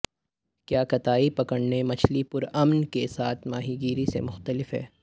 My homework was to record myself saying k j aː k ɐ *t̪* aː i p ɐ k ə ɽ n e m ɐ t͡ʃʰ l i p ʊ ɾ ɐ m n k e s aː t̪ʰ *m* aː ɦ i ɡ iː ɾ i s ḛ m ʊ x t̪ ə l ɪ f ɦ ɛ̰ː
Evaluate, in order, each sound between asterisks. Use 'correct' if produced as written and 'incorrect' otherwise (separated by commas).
correct, correct